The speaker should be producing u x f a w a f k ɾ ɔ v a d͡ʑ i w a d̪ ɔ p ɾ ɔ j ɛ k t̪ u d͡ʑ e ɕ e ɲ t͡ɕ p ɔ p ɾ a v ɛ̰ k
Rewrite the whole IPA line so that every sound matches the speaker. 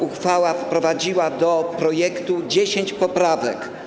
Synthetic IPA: u x f a w a f p ɾ ɔ v a d͡ʑ i w a d̪ ɔ p ɾ ɔ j ɛ k t̪ u d͡ʑ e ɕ e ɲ t͡ɕ p ɔ p ɾ a v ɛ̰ k

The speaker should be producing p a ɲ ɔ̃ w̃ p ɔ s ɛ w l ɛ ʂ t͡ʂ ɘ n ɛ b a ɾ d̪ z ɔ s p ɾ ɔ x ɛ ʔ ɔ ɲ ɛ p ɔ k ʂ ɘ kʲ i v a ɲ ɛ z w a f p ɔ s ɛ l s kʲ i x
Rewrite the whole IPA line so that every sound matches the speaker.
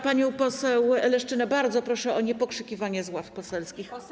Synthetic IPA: p a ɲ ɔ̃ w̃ p ɔ s ɛ w l ɛ ʂ t͡ʂ ɘ n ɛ b a ɾ d̪ z ɔ p ɾ ɔ ʂ ɛ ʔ ɔ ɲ ɛ p ɔ k ʂ ɘ kʲ i v a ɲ ɛ z w a f p ɔ s ɛ l s kʲ i x

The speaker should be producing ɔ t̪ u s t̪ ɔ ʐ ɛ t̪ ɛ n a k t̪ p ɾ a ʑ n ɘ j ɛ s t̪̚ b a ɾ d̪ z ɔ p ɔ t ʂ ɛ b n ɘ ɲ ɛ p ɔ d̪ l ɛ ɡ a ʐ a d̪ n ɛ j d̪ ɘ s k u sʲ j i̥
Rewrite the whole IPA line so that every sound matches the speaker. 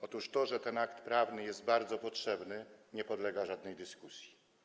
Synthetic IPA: ɔ t̪ u ʂ t̪ ɔ ʐ ɛ t̪ ɛ n a k t̪ p ɾ a v n ɘ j ɛ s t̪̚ b a ɾ d̪ z ɔ p ɔ t ʂ ɛ b n ɘ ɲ ɛ p ɔ d̪ l ɛ ɡ a ʐ a d̪ n ɛ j d̪ ɘ s k u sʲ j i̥

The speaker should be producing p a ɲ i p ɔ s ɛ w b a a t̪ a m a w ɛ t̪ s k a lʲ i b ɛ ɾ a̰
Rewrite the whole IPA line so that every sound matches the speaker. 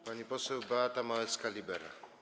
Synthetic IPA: p a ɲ i p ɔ s ɛ w b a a t̪ a m a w ɛ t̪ s k a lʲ i b ɛ ɾ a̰

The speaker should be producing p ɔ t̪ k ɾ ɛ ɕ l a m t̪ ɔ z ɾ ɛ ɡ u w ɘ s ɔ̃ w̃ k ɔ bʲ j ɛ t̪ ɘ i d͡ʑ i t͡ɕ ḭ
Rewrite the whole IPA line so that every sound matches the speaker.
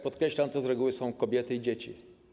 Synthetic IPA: p ɔ t̪ k ɾ ɛ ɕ l a m t̪ ɔ z ɾ ɛ ɡ u w ɘ s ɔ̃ w̃ k ɔ bʲ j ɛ t̪ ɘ i d͡ʑ e t͡ɕ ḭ

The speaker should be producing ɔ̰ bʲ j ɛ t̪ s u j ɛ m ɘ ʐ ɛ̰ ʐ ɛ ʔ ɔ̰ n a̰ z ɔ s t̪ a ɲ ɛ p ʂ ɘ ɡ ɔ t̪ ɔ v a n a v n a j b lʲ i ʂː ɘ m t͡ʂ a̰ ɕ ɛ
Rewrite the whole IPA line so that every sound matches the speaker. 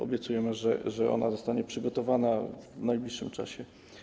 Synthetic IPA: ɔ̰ bʲ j ɛ t̪ s u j ɛ m ɘ ʐ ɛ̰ ʐ ɛ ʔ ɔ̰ n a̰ z ɔ s t̪ a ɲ ɛ p ʂ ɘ ɡ ɔ t̪ ɔ v a n a v n a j b lʲ i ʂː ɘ m t͡ʂ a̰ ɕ ɛ

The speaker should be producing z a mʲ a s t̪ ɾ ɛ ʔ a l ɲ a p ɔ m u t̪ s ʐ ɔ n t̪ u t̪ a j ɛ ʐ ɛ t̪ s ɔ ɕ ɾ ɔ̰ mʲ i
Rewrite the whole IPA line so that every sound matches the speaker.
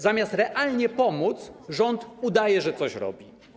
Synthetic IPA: z a mʲ a s t̪ ɾ ɛ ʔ a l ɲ ɛ p ɔ m u t̪ s ʐ ɔ n t̪ u d̪ a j ɛ ʐ ɛ t̪ s ɔ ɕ ɾ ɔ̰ bʲ i

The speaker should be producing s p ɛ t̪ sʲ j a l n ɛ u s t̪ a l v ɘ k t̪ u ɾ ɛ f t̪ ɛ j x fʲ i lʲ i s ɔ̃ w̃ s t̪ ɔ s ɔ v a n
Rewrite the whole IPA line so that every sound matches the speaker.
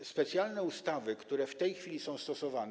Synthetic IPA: s p ɛ t̪ sʲ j a l n ɛ u s t̪ a v ɘ k t̪ u ɾ ɛ f t̪ ɛ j x fʲ i lʲ i s ɔ̃ w̃ s t̪ ɔ s ɔ v a n

